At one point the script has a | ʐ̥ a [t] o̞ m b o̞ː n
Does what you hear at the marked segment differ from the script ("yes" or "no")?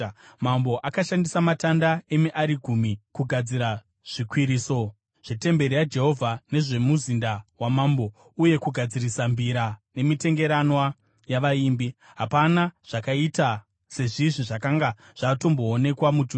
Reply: no